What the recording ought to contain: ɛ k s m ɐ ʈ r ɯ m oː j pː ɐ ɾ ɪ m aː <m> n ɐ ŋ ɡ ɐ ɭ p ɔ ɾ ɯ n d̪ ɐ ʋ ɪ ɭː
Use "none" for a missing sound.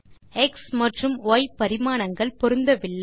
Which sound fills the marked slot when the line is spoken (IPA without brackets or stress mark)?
none